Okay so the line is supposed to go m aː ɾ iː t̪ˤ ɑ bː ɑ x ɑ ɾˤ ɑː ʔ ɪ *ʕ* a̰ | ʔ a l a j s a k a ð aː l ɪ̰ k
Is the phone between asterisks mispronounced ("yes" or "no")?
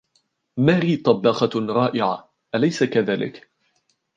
no